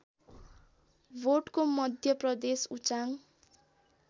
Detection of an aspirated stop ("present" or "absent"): absent